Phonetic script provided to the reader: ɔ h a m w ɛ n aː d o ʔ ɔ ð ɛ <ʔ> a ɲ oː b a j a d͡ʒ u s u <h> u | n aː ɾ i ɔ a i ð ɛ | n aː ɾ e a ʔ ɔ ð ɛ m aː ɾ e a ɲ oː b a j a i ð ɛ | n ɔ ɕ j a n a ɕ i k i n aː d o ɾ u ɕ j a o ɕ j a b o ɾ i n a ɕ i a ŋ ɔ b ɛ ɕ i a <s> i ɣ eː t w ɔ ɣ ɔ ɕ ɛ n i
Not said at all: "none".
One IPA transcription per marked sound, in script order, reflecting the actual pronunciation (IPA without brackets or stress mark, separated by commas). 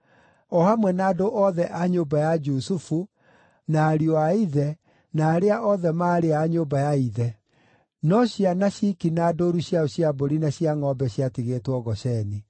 ʔ, f, t